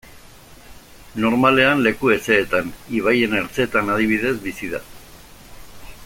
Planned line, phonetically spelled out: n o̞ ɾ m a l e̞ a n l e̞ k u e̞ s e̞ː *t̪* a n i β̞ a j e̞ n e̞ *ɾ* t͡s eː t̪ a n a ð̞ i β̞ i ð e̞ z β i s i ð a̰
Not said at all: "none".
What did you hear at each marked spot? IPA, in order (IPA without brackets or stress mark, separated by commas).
t̪, ɾ